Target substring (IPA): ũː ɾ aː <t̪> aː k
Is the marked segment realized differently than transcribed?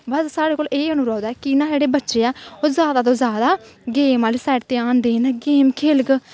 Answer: yes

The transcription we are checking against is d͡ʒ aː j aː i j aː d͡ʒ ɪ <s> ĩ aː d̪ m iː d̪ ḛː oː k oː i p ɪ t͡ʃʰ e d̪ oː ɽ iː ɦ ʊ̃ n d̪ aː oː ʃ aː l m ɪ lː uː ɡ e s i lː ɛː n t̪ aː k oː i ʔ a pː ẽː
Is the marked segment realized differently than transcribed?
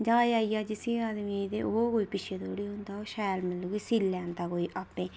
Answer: no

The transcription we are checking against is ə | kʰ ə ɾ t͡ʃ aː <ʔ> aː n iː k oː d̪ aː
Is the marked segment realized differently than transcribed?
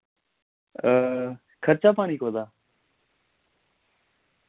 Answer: yes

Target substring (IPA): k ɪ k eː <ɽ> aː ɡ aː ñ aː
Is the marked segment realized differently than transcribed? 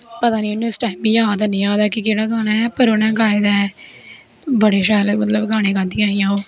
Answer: no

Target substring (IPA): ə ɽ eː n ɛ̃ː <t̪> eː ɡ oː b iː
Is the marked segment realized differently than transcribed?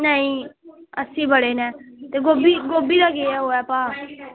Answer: no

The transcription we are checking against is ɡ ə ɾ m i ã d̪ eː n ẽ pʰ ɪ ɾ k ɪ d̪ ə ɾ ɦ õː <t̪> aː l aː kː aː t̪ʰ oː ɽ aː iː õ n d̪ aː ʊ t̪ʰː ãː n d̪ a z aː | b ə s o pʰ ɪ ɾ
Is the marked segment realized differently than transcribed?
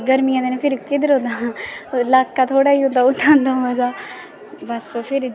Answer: yes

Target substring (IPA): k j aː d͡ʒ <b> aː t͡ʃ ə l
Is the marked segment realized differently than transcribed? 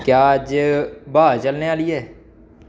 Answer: no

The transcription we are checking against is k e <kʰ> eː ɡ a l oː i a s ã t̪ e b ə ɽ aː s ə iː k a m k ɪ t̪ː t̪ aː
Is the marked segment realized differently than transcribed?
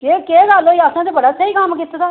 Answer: yes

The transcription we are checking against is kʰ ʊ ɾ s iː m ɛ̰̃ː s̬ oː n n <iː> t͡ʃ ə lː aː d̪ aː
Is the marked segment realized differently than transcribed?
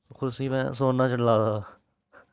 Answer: yes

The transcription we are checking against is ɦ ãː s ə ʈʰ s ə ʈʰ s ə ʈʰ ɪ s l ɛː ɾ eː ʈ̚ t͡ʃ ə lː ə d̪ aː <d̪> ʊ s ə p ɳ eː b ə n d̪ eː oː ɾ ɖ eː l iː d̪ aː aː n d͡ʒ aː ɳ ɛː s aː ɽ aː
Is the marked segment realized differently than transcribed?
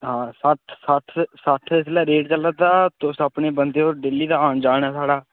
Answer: yes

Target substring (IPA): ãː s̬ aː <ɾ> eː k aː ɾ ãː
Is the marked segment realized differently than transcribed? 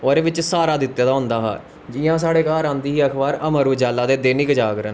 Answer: yes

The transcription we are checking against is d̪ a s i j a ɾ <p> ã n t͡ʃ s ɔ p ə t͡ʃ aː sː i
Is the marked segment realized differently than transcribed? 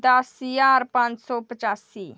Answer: no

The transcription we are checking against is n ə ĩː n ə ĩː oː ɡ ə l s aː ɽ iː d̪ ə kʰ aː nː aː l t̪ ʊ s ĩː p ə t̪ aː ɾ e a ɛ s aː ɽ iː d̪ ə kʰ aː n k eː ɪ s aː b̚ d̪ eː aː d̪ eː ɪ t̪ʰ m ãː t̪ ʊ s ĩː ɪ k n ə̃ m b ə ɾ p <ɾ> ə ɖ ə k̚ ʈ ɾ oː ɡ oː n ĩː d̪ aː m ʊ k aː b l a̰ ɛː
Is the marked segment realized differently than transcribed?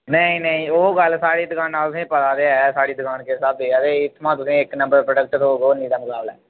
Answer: no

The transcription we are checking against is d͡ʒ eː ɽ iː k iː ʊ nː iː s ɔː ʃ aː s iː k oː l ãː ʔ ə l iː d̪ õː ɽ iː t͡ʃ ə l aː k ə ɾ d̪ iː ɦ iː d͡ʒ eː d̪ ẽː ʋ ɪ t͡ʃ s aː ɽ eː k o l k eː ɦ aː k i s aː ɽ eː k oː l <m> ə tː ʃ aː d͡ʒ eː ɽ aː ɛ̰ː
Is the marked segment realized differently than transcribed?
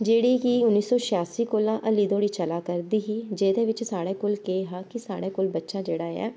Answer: yes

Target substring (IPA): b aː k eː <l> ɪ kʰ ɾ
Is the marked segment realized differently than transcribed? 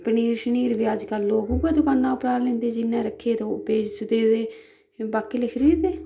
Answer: no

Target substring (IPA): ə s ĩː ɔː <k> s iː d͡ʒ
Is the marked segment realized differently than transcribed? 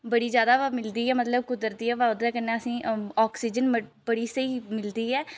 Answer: no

